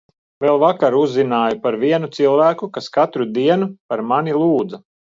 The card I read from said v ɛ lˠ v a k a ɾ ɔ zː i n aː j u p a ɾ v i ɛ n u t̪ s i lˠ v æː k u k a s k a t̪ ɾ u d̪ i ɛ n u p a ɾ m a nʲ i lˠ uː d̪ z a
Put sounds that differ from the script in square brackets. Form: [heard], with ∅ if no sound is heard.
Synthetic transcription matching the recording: v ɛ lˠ v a k a ɾ [u] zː i n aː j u p a ɾ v i ɛ n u t̪ s i lˠ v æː k u k a s k a t̪ ɾ u d̪ i ɛ n u p a ɾ m a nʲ i lˠ uː d̪ z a